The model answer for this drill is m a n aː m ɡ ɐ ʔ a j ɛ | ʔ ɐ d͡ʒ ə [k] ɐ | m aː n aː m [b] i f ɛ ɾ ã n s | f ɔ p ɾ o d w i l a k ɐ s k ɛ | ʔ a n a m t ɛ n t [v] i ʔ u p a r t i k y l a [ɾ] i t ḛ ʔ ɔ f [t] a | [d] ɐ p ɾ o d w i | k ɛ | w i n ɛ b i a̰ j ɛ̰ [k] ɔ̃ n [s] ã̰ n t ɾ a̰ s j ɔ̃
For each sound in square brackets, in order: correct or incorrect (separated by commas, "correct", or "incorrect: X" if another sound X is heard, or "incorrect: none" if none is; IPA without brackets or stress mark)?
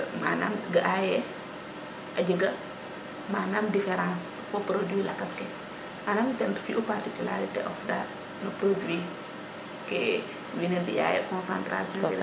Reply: incorrect: ɡ, incorrect: d, incorrect: f, correct, incorrect: d, incorrect: n, correct, correct